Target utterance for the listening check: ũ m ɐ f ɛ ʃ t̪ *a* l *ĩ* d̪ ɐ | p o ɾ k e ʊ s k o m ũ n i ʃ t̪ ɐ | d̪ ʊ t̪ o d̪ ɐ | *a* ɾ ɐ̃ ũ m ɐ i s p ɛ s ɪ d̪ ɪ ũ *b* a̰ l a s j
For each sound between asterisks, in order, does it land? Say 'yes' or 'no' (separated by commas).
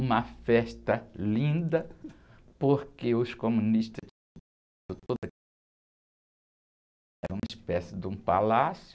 no, yes, no, no